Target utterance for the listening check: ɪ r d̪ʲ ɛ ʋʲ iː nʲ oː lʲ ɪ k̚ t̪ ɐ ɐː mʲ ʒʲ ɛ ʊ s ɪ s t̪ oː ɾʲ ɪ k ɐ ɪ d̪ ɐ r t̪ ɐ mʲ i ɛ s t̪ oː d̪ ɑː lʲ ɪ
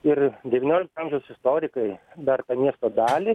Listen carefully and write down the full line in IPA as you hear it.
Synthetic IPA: ɪ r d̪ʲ ɛ ʋʲ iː nʲ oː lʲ ɪ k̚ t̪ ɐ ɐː mʲ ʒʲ ɛ ʊ s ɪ s t̪ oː ɾʲ ɪ k ɐ ɪ d̪ ɐ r t̪ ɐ mʲ i ɛ s t̪ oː d̪ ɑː lʲ ɪ